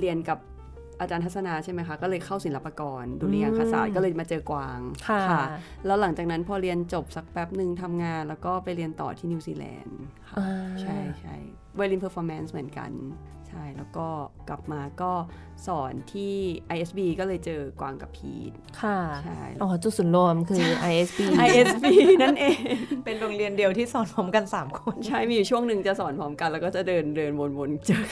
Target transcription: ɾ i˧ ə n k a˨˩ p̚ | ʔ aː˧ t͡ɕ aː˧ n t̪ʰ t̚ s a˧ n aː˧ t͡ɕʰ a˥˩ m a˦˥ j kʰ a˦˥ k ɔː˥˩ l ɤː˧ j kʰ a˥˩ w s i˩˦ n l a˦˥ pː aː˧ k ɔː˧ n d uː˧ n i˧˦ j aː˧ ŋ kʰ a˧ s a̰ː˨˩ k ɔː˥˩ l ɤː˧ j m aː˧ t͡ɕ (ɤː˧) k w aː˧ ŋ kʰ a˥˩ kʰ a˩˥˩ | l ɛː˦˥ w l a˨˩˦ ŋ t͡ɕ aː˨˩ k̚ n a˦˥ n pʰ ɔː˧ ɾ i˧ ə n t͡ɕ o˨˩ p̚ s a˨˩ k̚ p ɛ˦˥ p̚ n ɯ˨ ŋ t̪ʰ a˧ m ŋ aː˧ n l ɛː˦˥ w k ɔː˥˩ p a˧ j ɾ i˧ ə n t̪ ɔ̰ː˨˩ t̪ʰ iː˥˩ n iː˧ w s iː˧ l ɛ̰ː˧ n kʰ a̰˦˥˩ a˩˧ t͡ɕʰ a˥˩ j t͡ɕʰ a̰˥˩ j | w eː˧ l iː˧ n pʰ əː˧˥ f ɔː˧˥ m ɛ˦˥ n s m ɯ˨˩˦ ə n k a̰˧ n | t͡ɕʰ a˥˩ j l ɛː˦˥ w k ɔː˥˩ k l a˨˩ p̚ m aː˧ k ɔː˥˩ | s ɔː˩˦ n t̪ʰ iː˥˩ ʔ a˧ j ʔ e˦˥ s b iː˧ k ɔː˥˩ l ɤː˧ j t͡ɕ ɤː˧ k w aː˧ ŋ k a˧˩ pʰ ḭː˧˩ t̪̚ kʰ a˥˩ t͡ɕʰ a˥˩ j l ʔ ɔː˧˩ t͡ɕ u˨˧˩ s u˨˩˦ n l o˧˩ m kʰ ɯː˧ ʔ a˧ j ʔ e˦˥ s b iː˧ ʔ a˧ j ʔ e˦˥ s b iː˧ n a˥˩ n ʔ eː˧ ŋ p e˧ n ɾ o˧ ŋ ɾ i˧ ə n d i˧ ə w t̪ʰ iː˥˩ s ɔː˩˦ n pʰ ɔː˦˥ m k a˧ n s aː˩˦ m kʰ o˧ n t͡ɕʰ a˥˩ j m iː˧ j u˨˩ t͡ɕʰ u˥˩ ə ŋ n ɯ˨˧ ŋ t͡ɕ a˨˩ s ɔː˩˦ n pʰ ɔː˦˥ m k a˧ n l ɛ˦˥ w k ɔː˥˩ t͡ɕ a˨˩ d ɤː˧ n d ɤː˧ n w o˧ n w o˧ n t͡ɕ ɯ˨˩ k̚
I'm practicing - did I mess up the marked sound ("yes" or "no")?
no